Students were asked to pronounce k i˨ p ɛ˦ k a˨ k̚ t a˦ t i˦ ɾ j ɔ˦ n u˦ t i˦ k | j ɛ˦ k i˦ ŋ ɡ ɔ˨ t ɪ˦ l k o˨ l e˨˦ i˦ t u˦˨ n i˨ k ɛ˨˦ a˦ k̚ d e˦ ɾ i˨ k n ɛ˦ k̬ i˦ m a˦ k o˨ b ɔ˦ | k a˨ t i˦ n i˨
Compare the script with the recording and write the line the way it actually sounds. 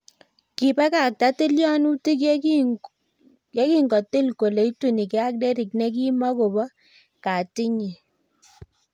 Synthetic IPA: k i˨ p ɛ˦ k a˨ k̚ t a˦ t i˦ l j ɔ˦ n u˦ t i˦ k | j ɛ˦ k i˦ ŋ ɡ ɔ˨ t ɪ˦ l k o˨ l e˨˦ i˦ t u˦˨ n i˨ k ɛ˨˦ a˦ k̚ d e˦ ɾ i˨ k n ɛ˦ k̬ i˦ m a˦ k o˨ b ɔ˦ | k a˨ t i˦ ɲ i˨

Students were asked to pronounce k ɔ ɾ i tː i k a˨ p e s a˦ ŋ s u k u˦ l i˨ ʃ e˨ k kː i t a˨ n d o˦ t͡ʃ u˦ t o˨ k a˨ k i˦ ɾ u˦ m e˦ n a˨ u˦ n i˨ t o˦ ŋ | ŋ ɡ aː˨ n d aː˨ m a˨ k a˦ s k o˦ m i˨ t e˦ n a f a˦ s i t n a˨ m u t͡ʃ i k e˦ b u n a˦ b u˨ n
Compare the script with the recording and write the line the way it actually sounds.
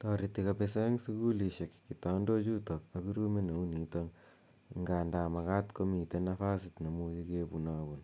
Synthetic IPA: t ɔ ɾ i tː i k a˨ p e s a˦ ŋ s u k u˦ l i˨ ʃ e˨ k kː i t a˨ n d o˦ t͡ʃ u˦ t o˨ k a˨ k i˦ ɾ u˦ m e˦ n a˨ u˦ n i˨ t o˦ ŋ | ŋ ɡ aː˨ n d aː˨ m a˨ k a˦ t k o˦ m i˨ t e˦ n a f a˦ s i t n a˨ m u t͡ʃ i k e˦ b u n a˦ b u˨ n

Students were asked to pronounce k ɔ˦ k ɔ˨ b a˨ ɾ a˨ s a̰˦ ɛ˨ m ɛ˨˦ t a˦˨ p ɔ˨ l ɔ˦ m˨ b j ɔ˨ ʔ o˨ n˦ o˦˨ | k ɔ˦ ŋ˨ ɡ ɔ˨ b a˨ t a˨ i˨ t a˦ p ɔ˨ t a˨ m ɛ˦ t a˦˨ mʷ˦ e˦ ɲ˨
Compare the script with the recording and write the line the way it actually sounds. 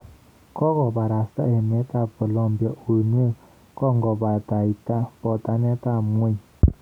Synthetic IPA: k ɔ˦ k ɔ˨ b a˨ ɾ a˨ s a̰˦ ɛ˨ m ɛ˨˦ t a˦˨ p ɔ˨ l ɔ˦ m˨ b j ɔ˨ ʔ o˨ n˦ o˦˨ | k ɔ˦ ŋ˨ ɡ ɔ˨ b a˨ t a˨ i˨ t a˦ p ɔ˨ t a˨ n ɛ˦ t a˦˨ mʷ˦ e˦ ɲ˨

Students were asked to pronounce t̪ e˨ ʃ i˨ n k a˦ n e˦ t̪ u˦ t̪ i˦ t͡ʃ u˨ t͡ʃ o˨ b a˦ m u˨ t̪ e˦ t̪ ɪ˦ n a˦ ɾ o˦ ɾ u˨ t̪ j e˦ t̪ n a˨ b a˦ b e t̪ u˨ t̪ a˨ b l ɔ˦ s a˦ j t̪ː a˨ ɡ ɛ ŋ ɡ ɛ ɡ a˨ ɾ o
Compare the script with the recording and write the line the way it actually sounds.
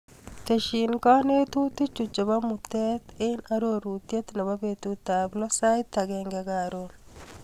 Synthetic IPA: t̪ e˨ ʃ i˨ n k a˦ n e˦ t̪ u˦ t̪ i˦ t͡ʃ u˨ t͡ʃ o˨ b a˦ m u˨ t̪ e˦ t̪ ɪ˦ n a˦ ɾ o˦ ɾ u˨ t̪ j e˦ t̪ n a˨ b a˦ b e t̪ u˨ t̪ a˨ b l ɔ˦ s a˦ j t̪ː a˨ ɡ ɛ ŋ ɡ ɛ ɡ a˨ ɾ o

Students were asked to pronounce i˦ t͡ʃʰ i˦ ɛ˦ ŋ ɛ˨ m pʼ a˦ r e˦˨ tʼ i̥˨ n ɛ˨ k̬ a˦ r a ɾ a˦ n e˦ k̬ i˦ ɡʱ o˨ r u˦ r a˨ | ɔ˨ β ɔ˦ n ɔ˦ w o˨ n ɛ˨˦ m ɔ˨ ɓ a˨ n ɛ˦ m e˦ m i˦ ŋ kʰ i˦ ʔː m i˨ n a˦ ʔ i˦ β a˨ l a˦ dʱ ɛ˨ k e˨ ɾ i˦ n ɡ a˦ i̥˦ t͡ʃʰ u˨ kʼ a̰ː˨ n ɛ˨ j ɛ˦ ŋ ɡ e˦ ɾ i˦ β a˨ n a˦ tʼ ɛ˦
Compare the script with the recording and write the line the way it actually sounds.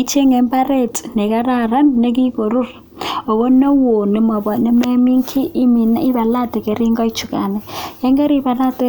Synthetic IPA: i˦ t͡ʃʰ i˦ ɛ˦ ŋ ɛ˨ m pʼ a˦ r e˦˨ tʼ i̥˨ n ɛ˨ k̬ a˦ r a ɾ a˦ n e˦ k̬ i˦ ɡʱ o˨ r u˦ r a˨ | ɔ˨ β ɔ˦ n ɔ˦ w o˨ n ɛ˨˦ m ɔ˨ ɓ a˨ n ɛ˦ m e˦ m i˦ ŋ kʰ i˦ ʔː m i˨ n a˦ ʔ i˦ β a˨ l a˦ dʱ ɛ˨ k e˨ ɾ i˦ ŋ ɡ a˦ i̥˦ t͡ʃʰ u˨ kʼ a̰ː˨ n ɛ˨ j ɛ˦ ŋ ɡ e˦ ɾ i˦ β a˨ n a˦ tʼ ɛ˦

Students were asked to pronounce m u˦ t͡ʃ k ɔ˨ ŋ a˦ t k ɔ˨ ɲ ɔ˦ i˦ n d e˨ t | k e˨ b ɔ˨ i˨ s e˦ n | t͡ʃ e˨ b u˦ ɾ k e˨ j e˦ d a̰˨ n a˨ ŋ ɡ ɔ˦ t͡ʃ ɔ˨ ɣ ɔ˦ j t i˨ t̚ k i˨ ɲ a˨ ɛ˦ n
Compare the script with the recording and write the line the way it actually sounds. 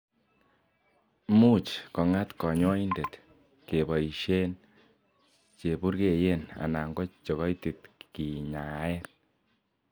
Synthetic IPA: m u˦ t͡ʃ k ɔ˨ ŋ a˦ t k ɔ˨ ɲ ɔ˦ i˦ n d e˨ t | k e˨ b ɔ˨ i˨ ʃ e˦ n | t͡ʃ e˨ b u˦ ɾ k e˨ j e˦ n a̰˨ n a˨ ŋ ɡ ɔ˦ t͡ʃ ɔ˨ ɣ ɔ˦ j t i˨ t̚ k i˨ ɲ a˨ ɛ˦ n

